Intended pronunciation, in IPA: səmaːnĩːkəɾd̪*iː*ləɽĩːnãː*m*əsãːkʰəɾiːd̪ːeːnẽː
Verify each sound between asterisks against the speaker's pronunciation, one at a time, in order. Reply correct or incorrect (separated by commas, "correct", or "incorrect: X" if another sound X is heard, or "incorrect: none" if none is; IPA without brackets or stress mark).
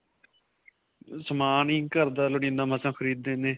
incorrect: aː, correct